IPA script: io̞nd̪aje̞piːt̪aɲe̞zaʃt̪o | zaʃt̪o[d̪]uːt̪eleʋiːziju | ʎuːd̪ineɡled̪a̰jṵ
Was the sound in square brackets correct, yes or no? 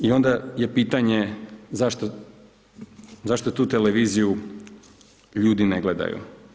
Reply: no